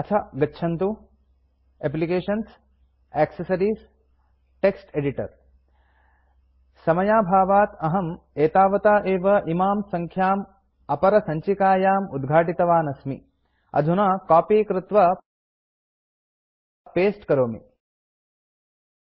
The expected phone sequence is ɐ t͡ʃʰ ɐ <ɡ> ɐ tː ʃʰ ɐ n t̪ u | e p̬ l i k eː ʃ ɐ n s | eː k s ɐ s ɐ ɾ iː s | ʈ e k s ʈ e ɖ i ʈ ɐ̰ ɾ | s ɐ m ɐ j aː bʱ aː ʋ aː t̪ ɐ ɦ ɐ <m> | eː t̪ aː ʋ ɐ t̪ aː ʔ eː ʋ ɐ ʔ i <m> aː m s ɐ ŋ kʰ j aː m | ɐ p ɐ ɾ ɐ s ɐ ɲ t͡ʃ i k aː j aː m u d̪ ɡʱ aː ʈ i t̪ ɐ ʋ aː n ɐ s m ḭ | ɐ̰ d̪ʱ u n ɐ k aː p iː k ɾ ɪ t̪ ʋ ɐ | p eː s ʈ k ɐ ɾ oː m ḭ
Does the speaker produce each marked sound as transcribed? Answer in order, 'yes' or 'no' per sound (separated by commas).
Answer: yes, yes, yes